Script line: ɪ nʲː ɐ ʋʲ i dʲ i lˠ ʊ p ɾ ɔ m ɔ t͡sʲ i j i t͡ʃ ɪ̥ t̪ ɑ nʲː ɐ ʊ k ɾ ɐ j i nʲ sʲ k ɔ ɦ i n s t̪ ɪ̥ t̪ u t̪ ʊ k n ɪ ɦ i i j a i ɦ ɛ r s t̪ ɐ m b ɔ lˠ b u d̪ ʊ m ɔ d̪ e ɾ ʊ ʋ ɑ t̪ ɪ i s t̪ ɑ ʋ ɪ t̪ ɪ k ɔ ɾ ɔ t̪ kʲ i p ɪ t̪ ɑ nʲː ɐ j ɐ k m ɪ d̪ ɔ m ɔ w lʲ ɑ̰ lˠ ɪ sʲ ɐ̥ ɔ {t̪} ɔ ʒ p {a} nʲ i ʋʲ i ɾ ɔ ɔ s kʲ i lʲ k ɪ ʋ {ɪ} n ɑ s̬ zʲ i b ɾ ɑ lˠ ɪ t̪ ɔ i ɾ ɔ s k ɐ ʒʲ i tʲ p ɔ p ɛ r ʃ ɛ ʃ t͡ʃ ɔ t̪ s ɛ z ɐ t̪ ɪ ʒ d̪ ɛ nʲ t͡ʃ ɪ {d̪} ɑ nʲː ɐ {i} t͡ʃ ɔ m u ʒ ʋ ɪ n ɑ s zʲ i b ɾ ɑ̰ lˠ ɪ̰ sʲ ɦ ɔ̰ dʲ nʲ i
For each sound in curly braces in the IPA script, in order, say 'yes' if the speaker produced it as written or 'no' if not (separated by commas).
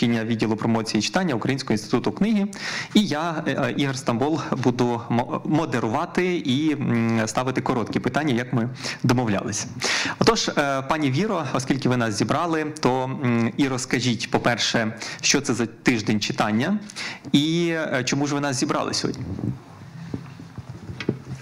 yes, no, yes, no, yes